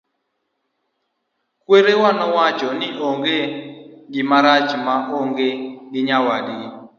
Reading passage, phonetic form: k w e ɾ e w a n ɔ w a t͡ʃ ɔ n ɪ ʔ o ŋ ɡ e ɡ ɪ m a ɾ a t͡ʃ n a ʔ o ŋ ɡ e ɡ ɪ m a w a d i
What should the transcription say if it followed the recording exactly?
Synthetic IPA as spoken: k w e ɾ e w a n ɔ w a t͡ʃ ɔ n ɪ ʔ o ŋ ɡ e ɡ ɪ m a ɾ a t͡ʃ m a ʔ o ŋ ɡ e ɡ ɪ ɲ a w a d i